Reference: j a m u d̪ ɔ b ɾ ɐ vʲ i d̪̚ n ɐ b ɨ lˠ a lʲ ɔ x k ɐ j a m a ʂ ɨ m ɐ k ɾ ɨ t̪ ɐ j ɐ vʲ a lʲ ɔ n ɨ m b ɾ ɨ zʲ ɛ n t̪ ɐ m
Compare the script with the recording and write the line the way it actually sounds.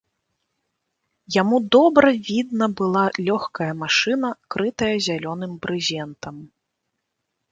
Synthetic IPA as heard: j a m u d̪ ɔ b ɾ ɐ vʲ i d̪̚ n ɐ b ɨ lˠ a lʲ ɔ x k ɐ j ɐ m a ʂ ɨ n ɐ k ɾ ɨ t̪ ɐ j ɐ zʲ a lʲ ɔ n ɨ m b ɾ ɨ zʲ ɛ n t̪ ɐ m